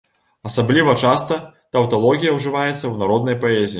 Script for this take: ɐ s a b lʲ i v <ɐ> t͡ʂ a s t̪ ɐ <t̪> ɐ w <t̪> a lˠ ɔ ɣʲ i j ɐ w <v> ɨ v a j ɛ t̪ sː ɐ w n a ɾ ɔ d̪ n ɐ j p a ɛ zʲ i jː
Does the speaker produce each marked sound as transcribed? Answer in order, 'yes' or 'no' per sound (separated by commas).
yes, yes, yes, no